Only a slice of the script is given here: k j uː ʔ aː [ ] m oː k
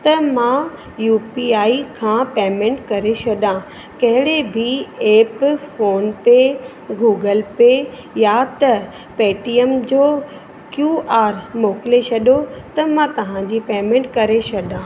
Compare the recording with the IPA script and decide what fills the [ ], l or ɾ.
ɾ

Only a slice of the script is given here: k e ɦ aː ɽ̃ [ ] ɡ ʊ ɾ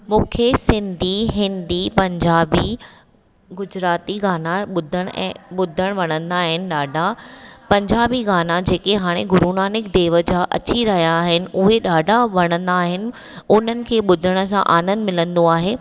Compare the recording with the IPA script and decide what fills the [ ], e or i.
e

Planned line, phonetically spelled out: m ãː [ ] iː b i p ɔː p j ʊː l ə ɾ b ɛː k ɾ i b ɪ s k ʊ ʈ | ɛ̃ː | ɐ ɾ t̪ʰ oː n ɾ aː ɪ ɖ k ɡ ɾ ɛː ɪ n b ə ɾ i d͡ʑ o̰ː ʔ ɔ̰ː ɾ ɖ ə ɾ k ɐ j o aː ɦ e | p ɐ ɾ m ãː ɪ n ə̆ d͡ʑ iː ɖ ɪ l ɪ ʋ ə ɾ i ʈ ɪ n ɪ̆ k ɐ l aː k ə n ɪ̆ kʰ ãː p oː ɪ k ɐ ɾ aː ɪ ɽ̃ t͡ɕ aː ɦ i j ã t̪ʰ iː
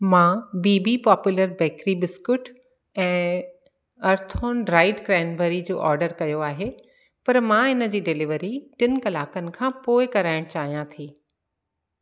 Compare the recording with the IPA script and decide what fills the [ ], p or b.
b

